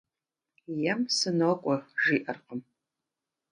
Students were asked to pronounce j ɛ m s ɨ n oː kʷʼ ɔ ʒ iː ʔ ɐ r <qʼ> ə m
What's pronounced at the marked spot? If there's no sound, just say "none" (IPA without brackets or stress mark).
q